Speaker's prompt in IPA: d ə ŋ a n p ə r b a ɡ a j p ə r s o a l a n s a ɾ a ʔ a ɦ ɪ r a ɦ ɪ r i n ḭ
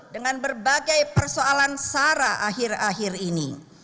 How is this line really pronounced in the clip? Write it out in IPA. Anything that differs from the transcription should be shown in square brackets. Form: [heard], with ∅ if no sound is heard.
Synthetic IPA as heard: d ə ŋ a n [b] ə r b a ɡ a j p ə r s o a l a n s a ɾ a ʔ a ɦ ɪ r a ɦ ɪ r i n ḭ